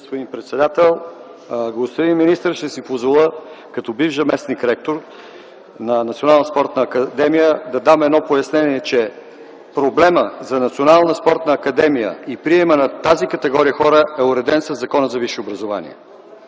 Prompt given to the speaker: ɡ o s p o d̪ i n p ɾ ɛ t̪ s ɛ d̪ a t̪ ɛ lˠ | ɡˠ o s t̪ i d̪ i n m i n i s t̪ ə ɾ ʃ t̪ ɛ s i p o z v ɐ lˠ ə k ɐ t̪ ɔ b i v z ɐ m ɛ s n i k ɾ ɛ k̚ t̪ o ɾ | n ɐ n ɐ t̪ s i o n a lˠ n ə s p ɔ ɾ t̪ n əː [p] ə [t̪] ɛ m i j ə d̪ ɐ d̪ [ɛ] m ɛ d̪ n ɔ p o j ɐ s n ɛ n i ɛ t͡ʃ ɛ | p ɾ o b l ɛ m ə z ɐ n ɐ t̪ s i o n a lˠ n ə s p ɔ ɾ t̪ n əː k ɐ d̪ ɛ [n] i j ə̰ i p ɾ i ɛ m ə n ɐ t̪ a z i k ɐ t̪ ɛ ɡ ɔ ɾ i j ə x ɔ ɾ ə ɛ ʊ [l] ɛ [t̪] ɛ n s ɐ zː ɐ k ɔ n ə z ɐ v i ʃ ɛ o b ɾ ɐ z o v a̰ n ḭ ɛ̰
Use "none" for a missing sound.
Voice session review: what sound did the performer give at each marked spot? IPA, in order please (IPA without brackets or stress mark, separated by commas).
k, d̪, a, m, ɾ, d̪